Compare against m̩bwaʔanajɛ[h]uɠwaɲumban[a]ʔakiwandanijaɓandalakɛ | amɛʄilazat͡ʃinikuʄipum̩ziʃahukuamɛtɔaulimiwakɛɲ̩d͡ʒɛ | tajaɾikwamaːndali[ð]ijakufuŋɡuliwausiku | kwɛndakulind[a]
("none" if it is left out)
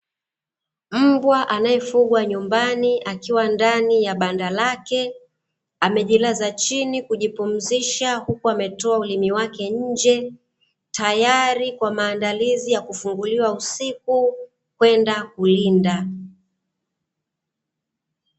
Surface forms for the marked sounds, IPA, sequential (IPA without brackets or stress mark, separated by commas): f, i, z, a